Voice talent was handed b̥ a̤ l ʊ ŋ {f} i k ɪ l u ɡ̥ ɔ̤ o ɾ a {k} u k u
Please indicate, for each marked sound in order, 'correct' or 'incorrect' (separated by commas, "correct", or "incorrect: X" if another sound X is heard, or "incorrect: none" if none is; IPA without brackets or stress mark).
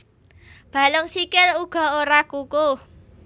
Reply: incorrect: s, correct